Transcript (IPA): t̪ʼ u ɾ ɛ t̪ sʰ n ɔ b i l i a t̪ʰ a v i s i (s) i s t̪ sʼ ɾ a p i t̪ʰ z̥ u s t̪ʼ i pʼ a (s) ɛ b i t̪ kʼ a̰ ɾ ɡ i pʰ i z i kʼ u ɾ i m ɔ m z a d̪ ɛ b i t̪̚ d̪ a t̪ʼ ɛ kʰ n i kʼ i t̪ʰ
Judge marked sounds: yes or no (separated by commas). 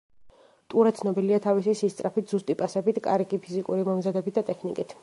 yes, yes